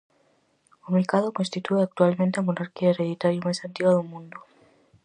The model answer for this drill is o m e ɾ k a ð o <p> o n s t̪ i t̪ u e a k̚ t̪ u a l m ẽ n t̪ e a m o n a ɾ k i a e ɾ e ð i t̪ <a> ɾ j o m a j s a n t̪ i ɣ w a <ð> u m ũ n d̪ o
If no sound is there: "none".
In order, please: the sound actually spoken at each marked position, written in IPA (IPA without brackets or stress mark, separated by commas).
k, a, ð